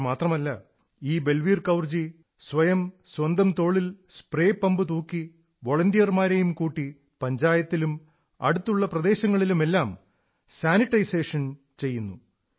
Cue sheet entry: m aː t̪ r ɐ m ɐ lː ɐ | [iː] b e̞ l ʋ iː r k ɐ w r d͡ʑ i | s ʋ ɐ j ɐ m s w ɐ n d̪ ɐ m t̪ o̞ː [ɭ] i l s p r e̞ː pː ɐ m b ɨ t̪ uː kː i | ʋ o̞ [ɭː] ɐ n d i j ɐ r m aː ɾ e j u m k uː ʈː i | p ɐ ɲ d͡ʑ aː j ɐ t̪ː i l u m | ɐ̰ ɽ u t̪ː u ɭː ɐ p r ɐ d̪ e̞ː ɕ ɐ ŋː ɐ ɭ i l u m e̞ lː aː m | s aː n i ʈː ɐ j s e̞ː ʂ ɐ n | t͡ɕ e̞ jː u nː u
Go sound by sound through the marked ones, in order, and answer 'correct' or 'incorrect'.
correct, correct, incorrect: ɭ

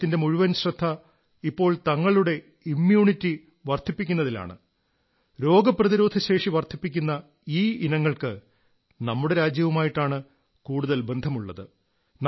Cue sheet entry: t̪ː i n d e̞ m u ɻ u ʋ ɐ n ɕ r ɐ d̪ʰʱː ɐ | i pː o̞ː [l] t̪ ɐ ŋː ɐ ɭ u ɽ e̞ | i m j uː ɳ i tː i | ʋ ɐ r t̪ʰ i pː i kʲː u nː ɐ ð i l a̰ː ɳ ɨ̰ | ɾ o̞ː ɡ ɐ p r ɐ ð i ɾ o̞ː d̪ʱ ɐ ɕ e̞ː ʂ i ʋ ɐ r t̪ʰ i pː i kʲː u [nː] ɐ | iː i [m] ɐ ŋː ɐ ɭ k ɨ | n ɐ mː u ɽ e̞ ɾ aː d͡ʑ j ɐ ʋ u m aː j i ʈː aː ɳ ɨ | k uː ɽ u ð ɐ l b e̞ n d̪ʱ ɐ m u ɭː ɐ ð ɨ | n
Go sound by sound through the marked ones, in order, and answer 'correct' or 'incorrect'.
incorrect: ɭ, correct, incorrect: n

